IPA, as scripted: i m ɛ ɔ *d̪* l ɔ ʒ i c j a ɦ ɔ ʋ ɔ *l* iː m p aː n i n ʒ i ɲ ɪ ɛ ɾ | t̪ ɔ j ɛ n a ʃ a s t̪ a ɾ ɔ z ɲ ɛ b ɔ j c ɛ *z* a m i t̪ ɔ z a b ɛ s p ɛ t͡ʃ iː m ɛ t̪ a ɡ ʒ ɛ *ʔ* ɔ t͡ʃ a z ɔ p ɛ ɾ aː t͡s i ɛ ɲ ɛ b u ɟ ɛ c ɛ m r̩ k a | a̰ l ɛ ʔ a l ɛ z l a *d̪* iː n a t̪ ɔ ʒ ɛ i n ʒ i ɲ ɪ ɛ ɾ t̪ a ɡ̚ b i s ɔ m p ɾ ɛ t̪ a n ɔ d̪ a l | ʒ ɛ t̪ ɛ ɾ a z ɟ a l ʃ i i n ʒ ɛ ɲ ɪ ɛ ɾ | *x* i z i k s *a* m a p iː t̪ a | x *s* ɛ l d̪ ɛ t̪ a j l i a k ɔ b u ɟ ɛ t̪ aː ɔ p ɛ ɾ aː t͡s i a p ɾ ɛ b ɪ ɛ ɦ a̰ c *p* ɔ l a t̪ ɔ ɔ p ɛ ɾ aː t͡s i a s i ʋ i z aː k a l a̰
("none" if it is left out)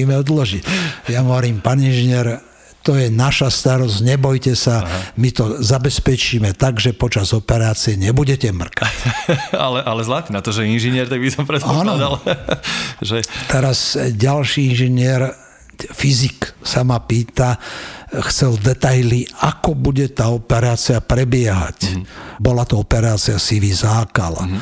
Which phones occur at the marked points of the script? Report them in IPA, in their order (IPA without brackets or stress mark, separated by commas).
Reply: d̪, ɾ, s, p, t̪, f, a, t͡s, b